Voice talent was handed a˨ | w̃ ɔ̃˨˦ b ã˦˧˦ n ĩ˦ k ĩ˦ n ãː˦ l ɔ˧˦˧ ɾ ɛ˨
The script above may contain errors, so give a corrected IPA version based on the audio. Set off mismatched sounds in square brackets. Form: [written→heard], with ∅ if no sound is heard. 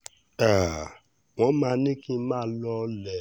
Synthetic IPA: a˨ | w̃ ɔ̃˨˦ [b→m] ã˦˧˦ n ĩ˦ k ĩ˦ [n→m] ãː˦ l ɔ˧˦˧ [ɾ→l] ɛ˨